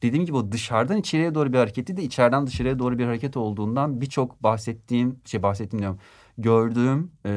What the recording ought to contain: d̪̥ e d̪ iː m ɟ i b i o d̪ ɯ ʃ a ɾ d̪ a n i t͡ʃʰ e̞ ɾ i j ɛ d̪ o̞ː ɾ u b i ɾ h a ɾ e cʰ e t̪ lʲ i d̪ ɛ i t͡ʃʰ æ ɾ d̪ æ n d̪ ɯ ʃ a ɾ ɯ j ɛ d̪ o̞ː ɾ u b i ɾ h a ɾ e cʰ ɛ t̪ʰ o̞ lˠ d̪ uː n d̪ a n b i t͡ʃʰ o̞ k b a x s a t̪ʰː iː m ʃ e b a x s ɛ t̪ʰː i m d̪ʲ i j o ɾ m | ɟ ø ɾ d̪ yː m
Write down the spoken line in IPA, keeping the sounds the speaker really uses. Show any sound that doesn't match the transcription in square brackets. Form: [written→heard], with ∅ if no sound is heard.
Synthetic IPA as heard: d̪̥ e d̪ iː m ɟ i b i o d̪ ɯ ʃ a ɾ d̪ a n i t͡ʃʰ e̞ ɾ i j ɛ d̪ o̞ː ɾ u b i ɾ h a ɾ e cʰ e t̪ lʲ i d̪ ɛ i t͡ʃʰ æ ɾ d̪ æ n d̪ ɯ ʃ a ɾ ɯ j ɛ d̪ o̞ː ɾ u b i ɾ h a ɾ e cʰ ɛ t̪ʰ o̞ lˠ d̪ uː n d̪ a n b i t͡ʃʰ o̞ k b a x s [a→ɛ] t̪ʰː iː m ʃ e b a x s ɛ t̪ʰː i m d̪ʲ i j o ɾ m | ɟ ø ɾ d̪ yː m